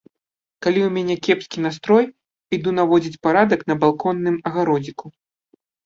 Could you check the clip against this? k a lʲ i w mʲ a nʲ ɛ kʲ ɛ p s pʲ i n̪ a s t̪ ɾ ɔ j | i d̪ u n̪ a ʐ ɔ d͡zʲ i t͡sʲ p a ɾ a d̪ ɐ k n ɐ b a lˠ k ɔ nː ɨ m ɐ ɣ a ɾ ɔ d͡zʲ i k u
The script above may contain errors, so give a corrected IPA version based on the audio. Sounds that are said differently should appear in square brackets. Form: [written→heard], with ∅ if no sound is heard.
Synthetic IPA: k a lʲ i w mʲ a nʲ ɛ kʲ ɛ p s [pʲ→kʲ] i n̪ a s t̪ ɾ ɔ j | i d̪ u n̪ a [ʐ→v] ɔ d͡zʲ i t͡sʲ p a ɾ a d̪ ɐ k n ɐ b a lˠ k ɔ nː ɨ m ɐ ɣ a ɾ ɔ d͡zʲ i k u